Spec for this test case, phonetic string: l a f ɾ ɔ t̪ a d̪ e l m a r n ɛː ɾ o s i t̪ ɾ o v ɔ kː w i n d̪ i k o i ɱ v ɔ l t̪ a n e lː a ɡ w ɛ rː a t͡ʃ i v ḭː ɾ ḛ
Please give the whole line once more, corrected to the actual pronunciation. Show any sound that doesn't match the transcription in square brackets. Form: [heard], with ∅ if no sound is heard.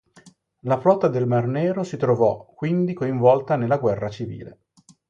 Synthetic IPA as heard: l a f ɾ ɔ t̪ a d̪ e l m a r n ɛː ɾ o s i t̪ ɾ o v ɔ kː w i n d̪ i k o i ɱ v ɔ l t̪ a n e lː a ɡ w ɛ rː a t͡ʃ i v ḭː [l] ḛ